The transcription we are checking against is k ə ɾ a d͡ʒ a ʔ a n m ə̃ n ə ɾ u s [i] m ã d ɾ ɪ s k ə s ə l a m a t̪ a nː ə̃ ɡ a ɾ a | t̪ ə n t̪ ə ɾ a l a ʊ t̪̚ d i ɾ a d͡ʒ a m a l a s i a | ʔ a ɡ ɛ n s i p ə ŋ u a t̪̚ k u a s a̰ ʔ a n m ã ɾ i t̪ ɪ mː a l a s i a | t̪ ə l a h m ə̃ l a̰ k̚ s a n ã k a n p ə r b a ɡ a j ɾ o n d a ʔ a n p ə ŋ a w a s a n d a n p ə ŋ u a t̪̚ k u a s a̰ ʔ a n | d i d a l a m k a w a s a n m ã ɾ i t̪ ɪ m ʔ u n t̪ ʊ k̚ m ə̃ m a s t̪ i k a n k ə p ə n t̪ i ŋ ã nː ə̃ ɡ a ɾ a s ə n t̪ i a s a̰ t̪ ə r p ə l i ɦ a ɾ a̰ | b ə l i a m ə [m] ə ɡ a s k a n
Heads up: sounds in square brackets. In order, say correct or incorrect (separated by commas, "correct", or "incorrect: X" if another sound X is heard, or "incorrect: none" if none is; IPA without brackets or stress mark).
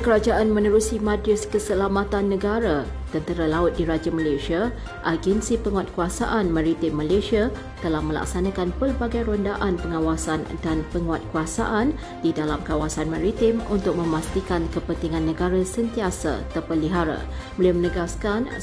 correct, incorrect: n